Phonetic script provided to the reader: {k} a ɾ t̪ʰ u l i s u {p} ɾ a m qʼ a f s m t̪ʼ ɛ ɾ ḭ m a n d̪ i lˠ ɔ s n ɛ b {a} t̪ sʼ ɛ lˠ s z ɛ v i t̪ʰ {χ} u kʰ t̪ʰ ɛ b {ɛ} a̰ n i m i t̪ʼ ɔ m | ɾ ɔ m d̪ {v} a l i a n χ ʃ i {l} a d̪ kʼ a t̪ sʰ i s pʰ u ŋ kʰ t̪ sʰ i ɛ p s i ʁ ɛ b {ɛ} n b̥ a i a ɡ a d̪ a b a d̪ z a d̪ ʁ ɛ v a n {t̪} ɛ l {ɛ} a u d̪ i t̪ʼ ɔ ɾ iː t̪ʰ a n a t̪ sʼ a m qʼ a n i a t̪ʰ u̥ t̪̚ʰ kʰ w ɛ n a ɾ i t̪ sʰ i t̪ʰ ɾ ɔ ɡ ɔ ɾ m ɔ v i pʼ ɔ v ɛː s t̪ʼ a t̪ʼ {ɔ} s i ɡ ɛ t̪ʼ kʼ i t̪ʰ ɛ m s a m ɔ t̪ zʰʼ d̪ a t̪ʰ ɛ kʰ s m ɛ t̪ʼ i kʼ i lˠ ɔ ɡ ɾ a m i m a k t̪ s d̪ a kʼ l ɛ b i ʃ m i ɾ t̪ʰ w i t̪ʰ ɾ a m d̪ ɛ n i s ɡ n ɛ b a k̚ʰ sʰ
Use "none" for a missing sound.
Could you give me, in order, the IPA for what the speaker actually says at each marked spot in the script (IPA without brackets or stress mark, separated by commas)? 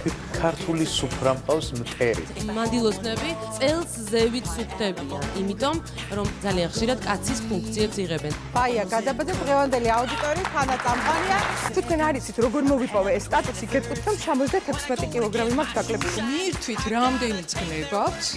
kʰ, pʰ, i, s, i, z, ɾ, ɛ, d̪, i, u